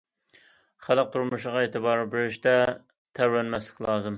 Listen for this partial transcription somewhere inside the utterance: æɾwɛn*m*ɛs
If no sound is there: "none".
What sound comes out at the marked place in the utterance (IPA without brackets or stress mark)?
m